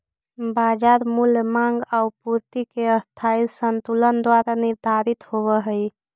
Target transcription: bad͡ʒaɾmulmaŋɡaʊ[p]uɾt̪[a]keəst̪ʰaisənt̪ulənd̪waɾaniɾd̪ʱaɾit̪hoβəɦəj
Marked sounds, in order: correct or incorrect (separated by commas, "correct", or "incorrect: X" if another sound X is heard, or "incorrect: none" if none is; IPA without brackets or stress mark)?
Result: correct, incorrect: i